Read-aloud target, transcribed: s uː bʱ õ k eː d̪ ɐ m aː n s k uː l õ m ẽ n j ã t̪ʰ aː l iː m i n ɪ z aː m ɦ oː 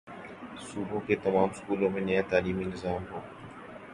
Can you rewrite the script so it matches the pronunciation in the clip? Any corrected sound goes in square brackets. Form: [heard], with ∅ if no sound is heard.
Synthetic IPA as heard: s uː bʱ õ k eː [t̪] ɐ m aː [m] s k uː l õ m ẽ n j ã [t̪] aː l iː m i n ɪ z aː m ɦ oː

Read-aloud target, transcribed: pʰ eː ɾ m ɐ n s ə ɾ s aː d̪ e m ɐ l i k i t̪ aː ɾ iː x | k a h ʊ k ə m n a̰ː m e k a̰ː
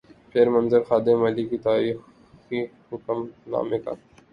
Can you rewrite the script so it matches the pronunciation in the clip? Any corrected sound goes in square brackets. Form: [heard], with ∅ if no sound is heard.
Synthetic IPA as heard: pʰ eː ɾ m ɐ n [z] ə ɾ [x] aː d̪ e m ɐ l i k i t̪ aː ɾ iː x | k [i] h ʊ k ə m n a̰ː m e k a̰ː

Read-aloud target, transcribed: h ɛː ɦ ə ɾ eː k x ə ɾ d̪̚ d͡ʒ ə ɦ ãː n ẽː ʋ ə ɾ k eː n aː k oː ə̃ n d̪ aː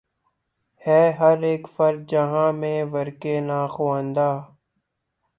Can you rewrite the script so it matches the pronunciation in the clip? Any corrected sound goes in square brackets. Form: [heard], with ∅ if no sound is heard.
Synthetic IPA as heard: h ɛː ɦ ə ɾ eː k [f] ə ɾ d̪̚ d͡ʒ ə ɦ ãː [m] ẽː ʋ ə ɾ k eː n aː [x] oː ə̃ n d̪ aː

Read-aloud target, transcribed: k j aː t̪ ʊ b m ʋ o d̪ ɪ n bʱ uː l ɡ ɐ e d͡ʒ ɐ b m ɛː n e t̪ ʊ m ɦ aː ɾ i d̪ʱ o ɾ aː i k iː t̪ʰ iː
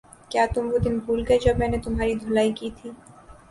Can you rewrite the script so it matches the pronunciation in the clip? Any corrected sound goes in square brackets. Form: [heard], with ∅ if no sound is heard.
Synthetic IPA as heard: k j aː t̪ ʊ [∅] m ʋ o d̪ ɪ n bʱ uː l ɡ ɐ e d͡ʒ ɐ b m ɛː n e t̪ ʊ m ɦ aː ɾ i d̪ʱ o [l] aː i k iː t̪ʰ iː

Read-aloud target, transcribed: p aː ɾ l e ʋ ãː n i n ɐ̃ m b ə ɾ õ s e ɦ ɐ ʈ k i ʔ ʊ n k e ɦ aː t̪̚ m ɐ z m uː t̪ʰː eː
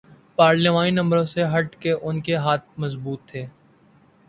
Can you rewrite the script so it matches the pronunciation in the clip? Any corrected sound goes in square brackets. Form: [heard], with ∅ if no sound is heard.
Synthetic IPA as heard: p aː ɾ l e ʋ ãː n i n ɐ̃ m b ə ɾ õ s e ɦ ɐ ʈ k [e] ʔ ʊ n k e ɦ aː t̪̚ m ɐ z [b] uː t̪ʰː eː

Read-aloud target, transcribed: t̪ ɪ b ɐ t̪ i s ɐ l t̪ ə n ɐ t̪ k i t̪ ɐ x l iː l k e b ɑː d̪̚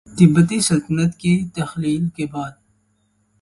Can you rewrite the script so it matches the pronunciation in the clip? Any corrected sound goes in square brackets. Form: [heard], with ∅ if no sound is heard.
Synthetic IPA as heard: t̪ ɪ b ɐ t̪ i s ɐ l t̪ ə n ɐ t̪ k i t̪ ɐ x l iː l k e b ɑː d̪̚

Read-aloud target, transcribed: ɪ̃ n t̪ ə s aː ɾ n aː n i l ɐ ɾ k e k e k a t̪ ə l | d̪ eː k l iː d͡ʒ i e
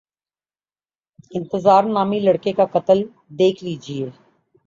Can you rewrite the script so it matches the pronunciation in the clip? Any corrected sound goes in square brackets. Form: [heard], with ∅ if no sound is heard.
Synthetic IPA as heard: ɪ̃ n t̪ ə [z] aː ɾ n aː [m] i l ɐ [ɽ] k e k [a] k [ɐ] t̪ ə l | d̪ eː [kʰ] l iː d͡ʒ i e

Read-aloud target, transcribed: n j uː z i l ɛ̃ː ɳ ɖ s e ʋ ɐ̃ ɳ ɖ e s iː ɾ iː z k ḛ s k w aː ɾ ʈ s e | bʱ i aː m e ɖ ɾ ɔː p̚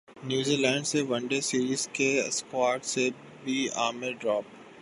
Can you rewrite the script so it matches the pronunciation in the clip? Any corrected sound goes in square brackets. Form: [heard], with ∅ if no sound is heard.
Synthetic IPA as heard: n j uː z i l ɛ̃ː ɳ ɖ s e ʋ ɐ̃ ɳ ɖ e s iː ɾ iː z k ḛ s k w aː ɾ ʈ s e | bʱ i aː m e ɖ ɾ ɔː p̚

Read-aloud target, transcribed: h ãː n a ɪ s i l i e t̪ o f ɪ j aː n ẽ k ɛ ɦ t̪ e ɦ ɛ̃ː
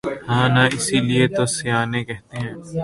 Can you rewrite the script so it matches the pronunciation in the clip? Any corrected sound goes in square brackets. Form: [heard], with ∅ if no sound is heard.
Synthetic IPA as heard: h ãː n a ɪ s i l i e t̪ o [s] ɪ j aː n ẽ k ɛ ɦ t̪ e ɦ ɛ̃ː

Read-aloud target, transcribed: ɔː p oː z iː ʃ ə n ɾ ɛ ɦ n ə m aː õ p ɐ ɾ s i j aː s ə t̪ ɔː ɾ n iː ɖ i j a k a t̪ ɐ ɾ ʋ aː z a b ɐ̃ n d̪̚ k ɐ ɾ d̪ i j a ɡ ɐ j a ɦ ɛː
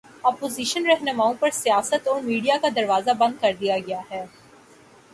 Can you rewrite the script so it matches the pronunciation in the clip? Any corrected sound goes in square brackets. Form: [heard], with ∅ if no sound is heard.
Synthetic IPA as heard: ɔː p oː z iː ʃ ə n ɾ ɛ ɦ n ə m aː õ p ɐ ɾ s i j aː s ə t̪ ɔː ɾ [m] iː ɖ i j a k a [d̪] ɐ ɾ ʋ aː z a b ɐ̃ n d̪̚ k ɐ ɾ d̪ i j a ɡ ɐ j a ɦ ɛː

